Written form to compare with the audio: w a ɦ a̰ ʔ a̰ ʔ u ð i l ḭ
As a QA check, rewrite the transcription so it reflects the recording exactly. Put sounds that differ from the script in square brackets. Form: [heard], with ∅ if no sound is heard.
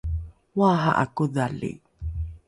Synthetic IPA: w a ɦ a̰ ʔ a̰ [k] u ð [a] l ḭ

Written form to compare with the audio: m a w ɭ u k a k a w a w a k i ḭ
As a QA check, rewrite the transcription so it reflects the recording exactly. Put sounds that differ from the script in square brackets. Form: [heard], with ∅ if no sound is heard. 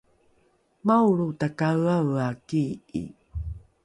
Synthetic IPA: m a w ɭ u [t] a k a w a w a k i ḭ

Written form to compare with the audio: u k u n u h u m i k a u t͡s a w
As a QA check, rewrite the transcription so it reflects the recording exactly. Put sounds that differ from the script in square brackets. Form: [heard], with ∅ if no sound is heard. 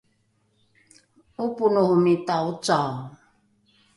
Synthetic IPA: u [p] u n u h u m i [t] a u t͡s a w

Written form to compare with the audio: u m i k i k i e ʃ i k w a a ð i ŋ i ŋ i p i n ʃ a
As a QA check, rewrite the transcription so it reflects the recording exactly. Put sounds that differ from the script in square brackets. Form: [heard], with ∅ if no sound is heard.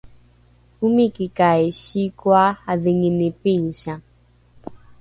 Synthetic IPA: u m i k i k [a] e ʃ i k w a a ð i ŋ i [n] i p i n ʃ a

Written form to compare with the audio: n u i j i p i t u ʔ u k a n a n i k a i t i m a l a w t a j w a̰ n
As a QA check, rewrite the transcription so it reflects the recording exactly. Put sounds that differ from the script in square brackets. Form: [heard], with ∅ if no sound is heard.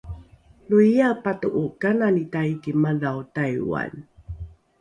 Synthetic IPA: n u i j [a] p [a] t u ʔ u k a n a n i [t] a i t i m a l a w t a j w a̰ n

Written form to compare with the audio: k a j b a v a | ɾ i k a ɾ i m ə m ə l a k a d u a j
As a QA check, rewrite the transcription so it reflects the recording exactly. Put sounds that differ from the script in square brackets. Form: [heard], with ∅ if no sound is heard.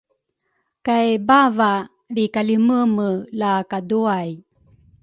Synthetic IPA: k a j b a v a | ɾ i k a [l] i m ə m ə l a k a d u a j

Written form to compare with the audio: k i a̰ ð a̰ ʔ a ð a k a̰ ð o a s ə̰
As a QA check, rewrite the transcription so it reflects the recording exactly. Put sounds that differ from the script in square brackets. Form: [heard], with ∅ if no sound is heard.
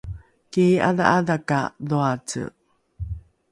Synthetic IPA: k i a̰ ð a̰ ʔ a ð a k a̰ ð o a [t͡s] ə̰

